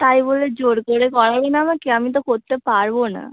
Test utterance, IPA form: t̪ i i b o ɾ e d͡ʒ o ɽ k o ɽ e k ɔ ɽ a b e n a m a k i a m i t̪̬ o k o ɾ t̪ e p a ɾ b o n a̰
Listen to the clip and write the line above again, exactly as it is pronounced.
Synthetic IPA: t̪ a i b o l e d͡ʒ o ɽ k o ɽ e k ɔ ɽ a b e n a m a k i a m i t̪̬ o k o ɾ t̪ e p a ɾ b o n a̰